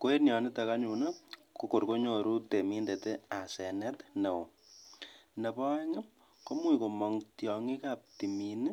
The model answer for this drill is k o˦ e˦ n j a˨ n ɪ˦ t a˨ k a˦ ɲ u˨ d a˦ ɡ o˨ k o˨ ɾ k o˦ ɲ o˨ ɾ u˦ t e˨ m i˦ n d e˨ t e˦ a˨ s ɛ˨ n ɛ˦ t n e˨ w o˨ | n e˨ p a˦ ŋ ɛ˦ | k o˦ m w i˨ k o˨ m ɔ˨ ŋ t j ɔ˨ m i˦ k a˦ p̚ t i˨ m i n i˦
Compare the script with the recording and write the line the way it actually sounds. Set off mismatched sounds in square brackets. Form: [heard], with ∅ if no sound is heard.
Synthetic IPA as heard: k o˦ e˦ n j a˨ n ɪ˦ t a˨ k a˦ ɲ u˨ [n] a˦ [k] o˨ k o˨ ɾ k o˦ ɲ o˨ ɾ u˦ t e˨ m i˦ n d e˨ t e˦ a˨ s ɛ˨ n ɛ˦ t n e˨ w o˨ | n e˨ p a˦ ŋ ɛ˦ | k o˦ m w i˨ k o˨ m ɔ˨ ŋ t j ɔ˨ [ŋ] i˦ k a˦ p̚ t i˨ m i n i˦